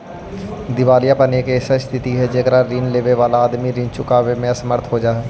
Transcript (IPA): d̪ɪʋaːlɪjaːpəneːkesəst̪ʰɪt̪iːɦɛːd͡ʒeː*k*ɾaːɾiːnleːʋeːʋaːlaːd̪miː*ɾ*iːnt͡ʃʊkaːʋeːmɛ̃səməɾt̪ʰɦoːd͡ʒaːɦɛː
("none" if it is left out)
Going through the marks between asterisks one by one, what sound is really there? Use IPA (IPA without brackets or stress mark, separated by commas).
k, ɾ